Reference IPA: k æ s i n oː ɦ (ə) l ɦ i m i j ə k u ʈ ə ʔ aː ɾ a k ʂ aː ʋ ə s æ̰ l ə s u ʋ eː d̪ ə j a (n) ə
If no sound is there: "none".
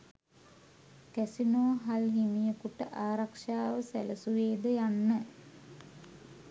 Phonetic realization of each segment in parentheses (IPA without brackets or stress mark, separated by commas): a, nː